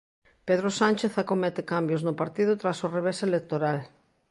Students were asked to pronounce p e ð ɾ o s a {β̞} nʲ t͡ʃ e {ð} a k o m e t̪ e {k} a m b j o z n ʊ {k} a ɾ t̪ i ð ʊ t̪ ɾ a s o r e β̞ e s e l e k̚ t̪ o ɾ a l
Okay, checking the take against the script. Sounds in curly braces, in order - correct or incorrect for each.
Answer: incorrect: none, incorrect: θ, correct, incorrect: p

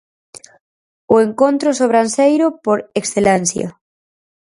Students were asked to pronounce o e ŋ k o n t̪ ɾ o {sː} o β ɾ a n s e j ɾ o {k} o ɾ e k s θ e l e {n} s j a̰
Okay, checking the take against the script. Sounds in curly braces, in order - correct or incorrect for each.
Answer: incorrect: s, incorrect: p, correct

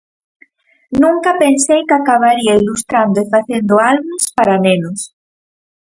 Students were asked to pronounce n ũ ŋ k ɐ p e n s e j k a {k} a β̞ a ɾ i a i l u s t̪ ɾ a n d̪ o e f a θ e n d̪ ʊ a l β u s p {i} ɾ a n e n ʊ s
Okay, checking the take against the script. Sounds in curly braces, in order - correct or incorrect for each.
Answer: correct, incorrect: a

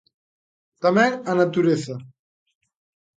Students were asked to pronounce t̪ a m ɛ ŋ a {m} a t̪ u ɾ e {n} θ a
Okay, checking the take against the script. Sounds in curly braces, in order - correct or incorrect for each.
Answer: incorrect: n, incorrect: none

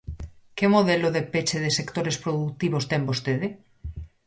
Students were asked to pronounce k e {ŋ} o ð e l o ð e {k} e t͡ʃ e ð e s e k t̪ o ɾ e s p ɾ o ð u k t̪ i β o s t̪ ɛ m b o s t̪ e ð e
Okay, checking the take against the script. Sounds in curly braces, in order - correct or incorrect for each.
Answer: incorrect: m, incorrect: p

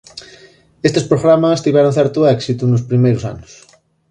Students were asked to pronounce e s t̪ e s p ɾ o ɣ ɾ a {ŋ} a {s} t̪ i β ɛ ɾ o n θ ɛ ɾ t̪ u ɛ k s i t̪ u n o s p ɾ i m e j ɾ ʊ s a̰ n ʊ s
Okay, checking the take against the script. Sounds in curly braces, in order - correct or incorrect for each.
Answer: incorrect: m, correct

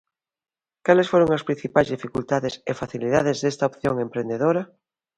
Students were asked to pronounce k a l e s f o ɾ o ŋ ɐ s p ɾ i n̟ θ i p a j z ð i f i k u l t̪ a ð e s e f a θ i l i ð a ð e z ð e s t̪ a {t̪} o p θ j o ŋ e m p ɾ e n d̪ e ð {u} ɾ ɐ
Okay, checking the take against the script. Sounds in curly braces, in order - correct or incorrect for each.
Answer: incorrect: none, incorrect: o

